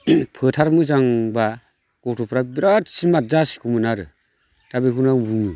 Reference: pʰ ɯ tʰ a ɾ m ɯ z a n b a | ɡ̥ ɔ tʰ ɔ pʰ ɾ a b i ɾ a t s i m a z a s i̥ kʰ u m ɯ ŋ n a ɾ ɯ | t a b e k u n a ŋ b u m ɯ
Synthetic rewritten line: pʰ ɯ tʰ a ɾ m ɯ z a ŋ b a | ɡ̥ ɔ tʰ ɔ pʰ ɾ a b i ɾ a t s i m a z a s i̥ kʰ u m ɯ n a ɾ ɯ | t a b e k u n a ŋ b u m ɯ